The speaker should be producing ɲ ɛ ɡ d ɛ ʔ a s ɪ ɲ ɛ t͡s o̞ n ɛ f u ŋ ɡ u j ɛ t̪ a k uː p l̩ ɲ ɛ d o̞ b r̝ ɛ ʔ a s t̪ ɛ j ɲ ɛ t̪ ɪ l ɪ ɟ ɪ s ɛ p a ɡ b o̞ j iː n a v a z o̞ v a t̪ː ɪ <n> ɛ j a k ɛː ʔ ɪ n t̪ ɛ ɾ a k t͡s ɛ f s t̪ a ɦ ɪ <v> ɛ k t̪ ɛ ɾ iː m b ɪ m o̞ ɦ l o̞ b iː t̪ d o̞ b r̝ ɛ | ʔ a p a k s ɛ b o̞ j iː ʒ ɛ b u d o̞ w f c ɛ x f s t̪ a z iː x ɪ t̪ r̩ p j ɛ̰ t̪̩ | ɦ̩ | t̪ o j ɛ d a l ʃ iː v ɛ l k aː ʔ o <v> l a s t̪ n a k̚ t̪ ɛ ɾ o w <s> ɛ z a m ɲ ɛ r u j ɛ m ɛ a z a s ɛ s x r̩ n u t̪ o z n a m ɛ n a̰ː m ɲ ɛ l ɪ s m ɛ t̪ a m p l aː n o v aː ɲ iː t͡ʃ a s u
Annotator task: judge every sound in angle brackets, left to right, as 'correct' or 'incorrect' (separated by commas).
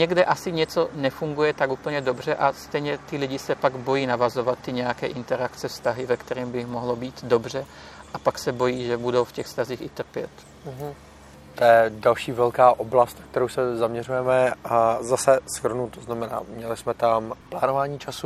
incorrect, correct, incorrect, correct